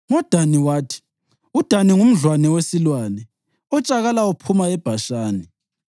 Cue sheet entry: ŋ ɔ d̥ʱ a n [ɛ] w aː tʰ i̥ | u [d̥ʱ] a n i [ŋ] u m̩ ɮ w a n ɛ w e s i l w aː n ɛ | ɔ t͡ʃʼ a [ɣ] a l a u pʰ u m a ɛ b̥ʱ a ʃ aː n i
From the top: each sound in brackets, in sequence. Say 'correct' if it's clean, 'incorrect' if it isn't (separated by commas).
incorrect, correct, correct, correct